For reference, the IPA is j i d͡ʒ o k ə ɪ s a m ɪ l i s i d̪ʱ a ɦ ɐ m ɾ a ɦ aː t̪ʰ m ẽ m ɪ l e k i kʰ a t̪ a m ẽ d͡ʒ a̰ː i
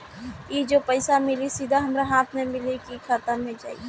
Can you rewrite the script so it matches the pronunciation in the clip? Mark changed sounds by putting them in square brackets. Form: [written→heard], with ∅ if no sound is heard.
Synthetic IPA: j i d͡ʒ o [k→p] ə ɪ s a m ɪ l i s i d̪ʱ a ɦ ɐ m ɾ a ɦ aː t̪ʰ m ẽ m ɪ l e k i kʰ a t̪ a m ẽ d͡ʒ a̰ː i